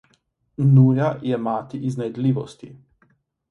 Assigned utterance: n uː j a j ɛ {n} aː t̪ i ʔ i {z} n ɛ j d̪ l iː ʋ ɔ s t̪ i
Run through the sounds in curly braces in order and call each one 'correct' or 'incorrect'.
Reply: incorrect: m, correct

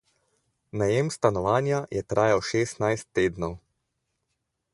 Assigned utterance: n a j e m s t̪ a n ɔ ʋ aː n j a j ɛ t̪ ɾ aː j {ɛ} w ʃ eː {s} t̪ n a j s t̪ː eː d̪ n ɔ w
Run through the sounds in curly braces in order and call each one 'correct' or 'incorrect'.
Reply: incorrect: a, correct

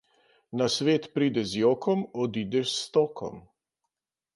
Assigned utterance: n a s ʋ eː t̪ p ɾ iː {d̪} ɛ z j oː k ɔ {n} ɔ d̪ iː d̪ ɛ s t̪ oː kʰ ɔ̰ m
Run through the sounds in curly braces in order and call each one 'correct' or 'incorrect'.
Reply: correct, incorrect: m

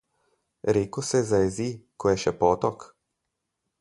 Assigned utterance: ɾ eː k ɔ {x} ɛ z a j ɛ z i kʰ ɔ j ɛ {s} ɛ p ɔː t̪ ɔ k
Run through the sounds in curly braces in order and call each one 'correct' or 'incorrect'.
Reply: incorrect: s, incorrect: ʃ

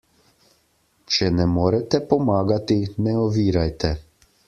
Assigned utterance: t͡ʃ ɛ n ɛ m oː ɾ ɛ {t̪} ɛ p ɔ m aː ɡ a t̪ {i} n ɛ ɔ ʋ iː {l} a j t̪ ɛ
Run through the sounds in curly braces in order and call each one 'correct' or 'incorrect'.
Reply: correct, correct, incorrect: ɾ

